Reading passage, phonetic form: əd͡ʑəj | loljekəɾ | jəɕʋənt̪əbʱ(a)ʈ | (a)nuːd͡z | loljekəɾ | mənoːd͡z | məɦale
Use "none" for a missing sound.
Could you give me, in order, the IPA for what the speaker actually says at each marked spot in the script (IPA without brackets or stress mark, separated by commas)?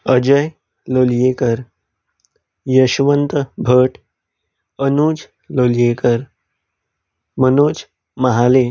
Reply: ə, ə